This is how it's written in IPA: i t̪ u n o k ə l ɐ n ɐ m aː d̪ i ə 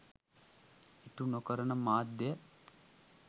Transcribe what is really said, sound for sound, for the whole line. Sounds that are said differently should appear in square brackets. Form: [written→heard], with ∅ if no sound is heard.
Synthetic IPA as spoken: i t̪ u n o k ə [l→ɾ] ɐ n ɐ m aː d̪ [i→j] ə